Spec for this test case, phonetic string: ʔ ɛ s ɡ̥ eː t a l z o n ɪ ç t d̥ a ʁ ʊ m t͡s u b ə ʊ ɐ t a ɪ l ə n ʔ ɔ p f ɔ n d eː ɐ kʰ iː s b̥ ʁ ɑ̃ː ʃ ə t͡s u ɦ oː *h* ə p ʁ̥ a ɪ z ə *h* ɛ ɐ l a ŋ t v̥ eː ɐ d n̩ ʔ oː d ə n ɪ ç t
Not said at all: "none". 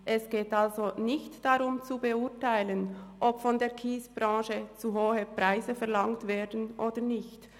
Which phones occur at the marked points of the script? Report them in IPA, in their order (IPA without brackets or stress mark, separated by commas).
h, f